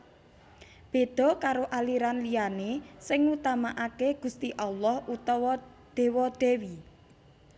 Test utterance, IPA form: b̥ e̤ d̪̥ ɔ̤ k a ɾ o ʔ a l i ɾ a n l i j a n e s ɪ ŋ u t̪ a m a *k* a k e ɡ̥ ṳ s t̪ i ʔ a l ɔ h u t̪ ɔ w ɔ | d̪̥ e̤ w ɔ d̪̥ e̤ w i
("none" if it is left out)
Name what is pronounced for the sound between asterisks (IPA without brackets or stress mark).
ʔ